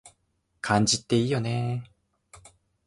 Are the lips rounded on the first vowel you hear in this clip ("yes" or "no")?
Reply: no